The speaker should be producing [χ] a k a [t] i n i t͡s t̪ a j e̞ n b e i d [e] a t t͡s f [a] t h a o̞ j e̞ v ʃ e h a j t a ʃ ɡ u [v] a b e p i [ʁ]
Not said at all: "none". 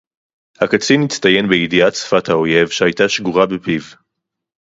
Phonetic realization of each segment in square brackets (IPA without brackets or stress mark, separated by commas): h, t͡s, i, a, ʁ, v